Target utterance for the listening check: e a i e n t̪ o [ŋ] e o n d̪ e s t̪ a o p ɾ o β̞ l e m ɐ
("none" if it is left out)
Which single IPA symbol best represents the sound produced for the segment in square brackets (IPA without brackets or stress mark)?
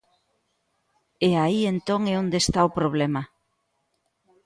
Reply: ŋ